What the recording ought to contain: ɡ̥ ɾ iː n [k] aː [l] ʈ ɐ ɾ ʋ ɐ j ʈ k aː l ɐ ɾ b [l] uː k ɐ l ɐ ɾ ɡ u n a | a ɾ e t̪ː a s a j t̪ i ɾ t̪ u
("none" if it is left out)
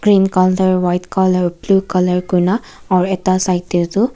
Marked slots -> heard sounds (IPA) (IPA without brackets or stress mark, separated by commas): k, l, l